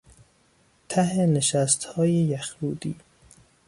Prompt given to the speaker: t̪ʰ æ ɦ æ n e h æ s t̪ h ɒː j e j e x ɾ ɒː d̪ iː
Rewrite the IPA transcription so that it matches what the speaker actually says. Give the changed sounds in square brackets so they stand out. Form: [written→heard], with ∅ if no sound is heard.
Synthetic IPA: t̪ʰ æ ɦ [æ→e] n e [h→ʃ] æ s t̪ h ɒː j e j [e→æ] x ɾ [ɒː→uː] d̪ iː